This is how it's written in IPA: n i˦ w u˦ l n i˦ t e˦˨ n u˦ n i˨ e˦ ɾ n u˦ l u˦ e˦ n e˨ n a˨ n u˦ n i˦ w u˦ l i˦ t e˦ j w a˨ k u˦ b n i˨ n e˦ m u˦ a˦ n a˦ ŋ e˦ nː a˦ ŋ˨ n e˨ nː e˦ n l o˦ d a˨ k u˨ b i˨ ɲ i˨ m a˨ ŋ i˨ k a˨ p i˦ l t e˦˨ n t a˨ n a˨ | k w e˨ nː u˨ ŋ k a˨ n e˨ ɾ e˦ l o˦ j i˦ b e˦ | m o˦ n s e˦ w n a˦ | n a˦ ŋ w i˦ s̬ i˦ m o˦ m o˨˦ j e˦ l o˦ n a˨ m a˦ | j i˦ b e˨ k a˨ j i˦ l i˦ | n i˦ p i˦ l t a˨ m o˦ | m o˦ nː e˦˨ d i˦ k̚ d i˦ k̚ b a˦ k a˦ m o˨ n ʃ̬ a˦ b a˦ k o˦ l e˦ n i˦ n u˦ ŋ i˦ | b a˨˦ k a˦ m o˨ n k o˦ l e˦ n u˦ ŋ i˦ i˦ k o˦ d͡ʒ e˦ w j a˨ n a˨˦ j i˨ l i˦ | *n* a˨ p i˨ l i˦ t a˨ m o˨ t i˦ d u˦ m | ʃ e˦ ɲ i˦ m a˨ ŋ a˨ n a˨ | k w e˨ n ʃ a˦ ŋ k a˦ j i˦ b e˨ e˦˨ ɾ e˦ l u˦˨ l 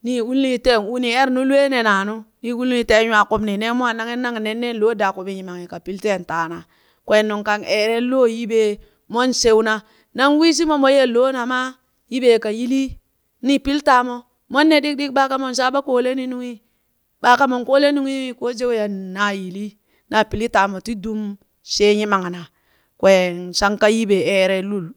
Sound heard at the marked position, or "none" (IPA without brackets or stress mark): n